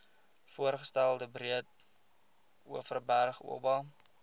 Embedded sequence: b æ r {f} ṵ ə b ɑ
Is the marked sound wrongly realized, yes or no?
yes